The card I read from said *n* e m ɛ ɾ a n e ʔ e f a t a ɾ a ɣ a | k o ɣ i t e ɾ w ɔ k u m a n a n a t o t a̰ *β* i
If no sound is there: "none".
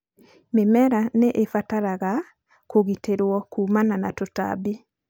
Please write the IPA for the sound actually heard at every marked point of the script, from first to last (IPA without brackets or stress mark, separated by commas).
m, b